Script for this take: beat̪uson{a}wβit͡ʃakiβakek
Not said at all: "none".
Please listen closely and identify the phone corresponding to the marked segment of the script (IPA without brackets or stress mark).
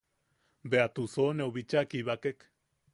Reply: e